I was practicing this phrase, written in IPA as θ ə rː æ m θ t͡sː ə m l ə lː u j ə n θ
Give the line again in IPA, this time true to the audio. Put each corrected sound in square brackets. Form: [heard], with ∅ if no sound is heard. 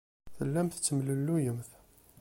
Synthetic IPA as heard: θ ə [lː] æ m θ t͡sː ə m l ə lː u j ə [m] θ